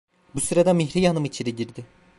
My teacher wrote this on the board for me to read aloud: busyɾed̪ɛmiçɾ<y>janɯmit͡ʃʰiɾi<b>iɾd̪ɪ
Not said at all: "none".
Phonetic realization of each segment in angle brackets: i, ɟ

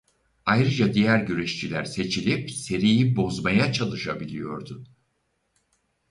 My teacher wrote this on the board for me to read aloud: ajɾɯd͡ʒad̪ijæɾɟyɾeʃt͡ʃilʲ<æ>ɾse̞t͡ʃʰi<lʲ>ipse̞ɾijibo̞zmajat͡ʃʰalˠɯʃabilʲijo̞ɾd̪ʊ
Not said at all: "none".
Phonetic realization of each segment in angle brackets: æ, lʲ

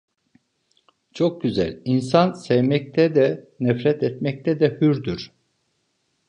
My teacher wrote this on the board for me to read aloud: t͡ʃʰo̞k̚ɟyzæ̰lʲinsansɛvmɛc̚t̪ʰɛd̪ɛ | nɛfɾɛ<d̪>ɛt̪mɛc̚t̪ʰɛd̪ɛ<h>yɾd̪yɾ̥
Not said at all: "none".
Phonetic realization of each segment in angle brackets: t̪, h

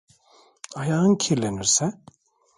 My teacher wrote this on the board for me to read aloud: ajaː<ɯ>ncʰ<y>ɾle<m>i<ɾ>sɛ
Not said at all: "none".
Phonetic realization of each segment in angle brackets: ɯ, i, n, ɾ

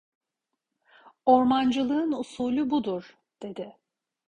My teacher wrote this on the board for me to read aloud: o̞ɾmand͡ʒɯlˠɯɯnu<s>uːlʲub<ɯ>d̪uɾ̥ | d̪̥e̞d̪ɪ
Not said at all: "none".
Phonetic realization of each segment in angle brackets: s, u

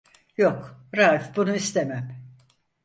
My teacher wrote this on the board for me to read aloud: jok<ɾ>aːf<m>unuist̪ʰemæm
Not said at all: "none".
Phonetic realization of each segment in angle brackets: ɾ, b

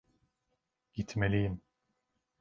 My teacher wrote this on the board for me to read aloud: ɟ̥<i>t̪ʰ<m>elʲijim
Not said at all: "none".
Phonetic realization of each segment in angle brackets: i, m

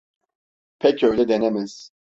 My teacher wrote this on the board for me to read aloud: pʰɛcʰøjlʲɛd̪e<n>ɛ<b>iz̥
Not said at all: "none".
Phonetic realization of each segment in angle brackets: n, m

